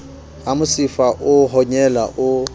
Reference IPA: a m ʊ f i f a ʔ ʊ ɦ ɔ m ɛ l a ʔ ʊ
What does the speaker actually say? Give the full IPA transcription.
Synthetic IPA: a m ʊ s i f a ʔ ʊ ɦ ɔ ɲ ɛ l a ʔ ʊ